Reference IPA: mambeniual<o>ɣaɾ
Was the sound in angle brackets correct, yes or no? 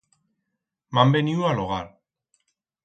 yes